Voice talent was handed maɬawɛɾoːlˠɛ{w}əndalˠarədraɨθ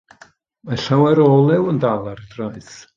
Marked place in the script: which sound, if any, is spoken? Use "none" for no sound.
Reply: w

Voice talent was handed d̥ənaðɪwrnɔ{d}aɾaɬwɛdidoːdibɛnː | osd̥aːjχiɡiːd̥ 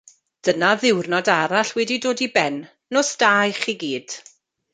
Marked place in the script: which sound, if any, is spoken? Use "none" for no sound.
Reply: d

